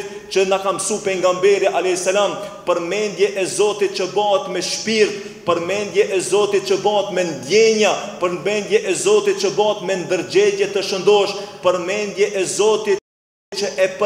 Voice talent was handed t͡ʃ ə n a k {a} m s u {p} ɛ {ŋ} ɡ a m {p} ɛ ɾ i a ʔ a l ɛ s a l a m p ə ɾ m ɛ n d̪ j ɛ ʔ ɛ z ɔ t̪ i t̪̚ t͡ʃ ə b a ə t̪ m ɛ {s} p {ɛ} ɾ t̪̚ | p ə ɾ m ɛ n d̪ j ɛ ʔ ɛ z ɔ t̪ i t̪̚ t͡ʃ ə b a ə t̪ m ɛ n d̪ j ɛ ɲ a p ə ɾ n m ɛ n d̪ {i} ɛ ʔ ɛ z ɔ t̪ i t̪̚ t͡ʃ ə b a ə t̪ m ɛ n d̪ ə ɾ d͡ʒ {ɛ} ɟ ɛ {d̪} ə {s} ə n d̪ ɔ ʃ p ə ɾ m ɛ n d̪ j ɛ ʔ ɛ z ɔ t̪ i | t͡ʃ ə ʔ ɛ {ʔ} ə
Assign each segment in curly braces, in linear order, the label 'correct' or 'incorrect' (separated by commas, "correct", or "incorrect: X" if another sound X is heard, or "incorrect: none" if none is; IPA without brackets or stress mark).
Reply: correct, correct, correct, incorrect: b, incorrect: ʃ, incorrect: i, incorrect: j, correct, incorrect: t̪, incorrect: ʃ, incorrect: p